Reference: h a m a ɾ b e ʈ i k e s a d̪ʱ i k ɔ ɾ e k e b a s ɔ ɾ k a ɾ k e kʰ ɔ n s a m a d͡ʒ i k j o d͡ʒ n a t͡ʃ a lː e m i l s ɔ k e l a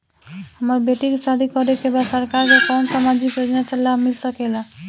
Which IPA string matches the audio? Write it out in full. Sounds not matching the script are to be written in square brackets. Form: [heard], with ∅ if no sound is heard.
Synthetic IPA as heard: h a m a ɾ b e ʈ i k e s a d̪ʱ i k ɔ ɾ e k e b a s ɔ ɾ k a ɾ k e [k] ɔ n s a m a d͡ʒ i k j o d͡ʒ n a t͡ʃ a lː [a] m i l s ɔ k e l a